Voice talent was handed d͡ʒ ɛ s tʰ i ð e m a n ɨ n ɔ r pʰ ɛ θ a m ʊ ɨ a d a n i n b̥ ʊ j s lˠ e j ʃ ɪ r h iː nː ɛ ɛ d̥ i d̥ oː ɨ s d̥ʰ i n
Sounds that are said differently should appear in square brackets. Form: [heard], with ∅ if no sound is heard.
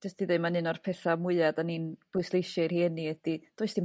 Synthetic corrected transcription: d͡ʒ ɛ s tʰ i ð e m a n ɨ n ɔ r pʰ ɛ θ a m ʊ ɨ a d a n i n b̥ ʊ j s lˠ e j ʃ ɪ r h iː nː [i] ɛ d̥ i d̥ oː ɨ s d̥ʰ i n